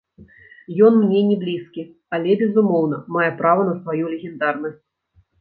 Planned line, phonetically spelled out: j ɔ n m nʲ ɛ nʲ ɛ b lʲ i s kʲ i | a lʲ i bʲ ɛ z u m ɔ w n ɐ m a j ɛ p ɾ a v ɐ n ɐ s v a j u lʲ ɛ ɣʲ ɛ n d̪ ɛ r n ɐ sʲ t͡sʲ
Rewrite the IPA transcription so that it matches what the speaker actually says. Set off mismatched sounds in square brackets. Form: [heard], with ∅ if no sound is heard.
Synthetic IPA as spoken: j ɔ n m nʲ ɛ nʲ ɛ b lʲ i s kʲ i | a lʲ [ɛ] bʲ ɛ z u m ɔ w n ɐ m a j ɛ p ɾ a v ɐ n ɐ s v a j u lʲ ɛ ɣʲ ɛ n d̪ [a] r n ɐ sʲ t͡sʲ